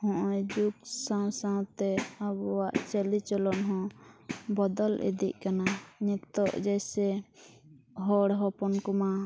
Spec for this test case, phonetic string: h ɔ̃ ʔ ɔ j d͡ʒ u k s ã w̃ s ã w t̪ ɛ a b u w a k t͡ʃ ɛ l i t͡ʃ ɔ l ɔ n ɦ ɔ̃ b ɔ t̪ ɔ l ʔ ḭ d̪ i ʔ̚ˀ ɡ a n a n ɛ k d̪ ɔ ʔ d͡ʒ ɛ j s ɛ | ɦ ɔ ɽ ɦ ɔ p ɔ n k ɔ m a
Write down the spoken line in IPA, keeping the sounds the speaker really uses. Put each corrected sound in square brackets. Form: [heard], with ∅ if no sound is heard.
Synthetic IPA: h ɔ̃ ʔ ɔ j d͡ʒ u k s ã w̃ s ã w t̪ ɛ a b [ɔ] w a [ʔ] t͡ʃ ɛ l i t͡ʃ ɔ l ɔ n ɦ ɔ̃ b ɔ [d̪] ɔ l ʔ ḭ d̪ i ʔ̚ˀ [k] a n a [ɲ] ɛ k [t̪] ɔ ʔ d͡ʒ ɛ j s ɛ | ɦ ɔ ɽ ɦ ɔ p ɔ n k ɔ m a